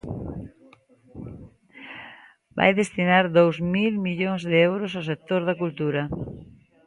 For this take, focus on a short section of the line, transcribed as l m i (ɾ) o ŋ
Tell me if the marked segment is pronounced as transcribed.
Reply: no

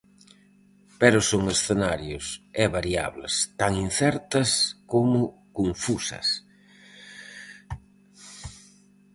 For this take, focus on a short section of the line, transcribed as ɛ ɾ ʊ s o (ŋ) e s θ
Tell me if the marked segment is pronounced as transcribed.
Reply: yes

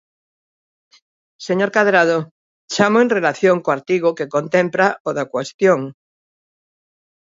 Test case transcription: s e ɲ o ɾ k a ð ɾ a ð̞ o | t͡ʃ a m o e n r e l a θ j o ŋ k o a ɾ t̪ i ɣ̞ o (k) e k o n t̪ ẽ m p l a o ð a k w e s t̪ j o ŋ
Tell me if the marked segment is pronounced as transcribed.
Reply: yes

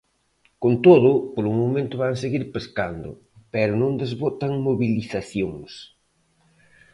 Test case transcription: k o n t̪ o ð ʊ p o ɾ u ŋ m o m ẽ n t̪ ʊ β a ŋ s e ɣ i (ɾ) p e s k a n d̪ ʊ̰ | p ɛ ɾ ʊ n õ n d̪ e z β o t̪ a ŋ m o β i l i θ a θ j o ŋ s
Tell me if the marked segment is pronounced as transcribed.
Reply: yes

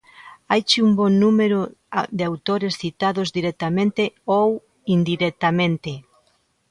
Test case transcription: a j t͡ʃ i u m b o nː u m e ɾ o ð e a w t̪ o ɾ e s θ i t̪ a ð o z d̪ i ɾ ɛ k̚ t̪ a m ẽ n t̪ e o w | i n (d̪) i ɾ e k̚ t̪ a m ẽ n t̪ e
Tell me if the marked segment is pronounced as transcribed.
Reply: yes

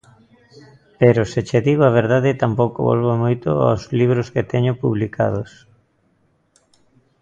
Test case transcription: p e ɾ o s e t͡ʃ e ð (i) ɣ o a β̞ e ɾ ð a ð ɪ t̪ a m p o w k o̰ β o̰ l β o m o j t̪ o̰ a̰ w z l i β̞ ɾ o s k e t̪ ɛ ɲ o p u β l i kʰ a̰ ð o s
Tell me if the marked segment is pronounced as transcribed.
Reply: yes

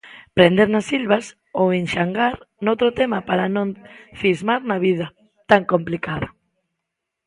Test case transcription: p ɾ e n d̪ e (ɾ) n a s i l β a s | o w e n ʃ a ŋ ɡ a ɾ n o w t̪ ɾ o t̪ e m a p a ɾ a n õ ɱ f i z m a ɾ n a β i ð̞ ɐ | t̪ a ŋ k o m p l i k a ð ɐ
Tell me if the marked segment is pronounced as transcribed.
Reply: yes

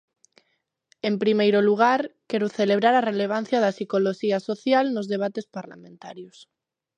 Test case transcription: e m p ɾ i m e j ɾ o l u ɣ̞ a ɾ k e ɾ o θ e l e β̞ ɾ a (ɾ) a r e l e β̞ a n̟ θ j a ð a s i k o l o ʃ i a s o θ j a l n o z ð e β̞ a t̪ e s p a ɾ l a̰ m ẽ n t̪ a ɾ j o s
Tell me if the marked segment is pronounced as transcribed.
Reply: yes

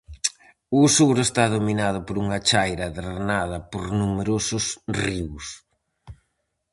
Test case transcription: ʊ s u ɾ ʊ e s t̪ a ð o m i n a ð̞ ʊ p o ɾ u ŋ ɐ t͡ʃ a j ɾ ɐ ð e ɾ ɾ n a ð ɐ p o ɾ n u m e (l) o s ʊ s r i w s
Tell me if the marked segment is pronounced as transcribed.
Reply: no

